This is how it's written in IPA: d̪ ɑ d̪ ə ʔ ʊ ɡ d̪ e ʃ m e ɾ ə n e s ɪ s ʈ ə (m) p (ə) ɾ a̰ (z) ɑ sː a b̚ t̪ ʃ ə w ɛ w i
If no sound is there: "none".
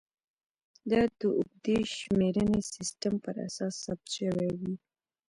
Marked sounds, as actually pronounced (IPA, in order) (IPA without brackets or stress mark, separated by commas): m, ə, s